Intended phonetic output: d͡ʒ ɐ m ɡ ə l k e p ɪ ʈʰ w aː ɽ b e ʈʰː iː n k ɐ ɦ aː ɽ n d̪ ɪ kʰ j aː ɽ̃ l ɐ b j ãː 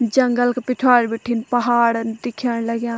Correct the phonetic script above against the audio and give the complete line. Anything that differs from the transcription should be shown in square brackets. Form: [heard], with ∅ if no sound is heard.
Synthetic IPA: d͡ʒ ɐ [ŋ] ɡ ə l k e p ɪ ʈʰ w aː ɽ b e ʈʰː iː n [p] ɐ ɦ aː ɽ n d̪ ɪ kʰ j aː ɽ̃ l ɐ [ɡ] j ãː